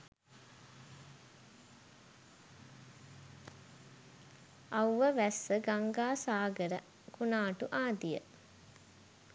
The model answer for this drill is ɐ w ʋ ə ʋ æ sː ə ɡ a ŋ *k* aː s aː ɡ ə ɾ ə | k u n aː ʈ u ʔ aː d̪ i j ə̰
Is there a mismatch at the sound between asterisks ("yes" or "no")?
yes